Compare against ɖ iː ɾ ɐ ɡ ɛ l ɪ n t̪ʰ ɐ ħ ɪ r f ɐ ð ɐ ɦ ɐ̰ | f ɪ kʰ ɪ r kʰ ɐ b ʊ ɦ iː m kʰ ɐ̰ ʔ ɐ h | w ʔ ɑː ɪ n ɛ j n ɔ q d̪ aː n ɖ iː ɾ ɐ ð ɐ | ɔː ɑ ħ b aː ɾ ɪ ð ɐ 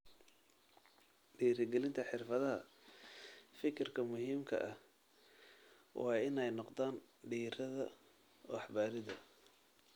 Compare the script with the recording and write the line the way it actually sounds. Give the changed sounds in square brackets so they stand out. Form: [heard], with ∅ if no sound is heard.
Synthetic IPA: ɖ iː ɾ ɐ ɡ ɛ l ɪ n t̪ʰ ɐ ħ ɪ r f ɐ ð ɐ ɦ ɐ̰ | f ɪ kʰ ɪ r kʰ ɐ [m] ʊ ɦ iː m kʰ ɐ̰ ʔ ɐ h | w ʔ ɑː ɪ n ɛ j n ɔ q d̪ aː n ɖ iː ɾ ɐ ð ɐ | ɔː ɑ ħ b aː ɾ ɪ ð ɐ